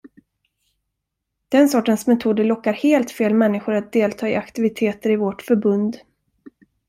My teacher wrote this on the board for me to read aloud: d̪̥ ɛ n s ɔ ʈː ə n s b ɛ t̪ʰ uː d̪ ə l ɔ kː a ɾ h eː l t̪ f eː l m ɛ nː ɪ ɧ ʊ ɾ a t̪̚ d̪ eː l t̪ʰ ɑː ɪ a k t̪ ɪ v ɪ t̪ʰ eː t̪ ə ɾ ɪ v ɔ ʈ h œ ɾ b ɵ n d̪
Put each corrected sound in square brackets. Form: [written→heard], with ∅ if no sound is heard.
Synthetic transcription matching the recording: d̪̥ ɛ n s ɔ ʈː ə n s [b→m] ɛ t̪ʰ uː d̪ ə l ɔ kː a ɾ h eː l t̪ f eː l m ɛ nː ɪ ɧ ʊ ɾ a t̪̚ d̪ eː l t̪ʰ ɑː ɪ a k t̪ ɪ v ɪ t̪ʰ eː t̪ ə ɾ ɪ v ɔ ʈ [h→f] œ ɾ b ɵ n d̪

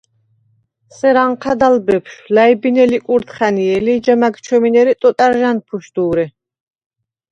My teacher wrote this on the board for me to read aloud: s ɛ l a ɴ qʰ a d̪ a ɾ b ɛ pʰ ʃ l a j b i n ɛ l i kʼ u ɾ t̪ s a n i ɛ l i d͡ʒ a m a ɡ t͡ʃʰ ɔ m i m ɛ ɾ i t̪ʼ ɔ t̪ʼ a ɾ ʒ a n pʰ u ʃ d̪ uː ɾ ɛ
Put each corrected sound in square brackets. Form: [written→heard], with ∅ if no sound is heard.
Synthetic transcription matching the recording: s ɛ [l→ɾ] a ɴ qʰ a d̪ a [ɾ→l] b ɛ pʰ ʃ l a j b i n ɛ l i kʼ u ɾ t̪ [s→χ] a n i ɛ l i d͡ʒ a m a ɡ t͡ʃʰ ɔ m i [m→n] ɛ ɾ i t̪ʼ ɔ t̪ʼ a ɾ ʒ a n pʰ u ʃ d̪ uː ɾ ɛ

